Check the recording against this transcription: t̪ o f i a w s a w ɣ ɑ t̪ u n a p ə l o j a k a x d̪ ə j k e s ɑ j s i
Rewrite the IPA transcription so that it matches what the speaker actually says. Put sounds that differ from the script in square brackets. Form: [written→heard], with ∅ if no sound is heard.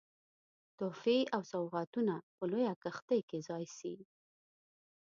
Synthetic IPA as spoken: t̪ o f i a w s a w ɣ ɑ t̪ u n a p ə l o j a k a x [d̪→t̪] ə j k e [s→z] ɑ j s i